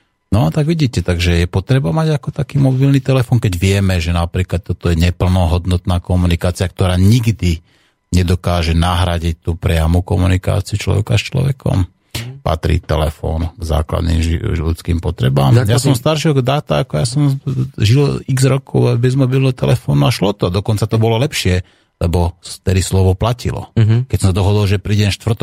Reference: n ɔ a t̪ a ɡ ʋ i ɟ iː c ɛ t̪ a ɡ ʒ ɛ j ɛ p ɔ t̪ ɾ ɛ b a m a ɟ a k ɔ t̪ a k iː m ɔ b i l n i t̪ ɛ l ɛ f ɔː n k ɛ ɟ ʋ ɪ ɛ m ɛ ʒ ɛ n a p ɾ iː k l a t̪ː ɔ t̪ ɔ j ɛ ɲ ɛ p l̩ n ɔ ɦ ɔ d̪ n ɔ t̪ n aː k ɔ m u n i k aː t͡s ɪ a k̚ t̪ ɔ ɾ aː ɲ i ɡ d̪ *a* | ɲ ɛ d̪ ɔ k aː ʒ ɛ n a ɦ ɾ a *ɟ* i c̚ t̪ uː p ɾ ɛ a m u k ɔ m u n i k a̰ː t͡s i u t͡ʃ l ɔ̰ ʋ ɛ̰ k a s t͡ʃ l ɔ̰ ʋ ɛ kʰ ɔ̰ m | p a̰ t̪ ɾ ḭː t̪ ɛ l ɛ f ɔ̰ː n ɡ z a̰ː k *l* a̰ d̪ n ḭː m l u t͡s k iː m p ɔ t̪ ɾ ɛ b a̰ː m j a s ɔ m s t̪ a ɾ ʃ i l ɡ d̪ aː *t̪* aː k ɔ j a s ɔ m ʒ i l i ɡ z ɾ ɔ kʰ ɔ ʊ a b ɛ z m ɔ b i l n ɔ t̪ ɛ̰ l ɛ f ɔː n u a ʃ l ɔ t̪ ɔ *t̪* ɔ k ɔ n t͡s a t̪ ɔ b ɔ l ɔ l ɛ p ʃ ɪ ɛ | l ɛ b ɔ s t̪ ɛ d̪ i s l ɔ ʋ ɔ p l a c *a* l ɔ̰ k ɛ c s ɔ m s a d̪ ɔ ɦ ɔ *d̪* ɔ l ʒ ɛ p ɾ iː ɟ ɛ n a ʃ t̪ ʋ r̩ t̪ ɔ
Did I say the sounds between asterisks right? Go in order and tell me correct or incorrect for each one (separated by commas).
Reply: incorrect, correct, correct, correct, incorrect, incorrect, correct